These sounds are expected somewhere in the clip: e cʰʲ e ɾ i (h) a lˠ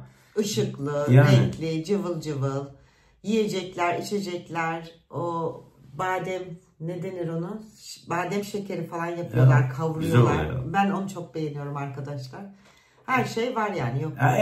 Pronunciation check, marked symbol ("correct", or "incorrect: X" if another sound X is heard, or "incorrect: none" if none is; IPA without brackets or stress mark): incorrect: f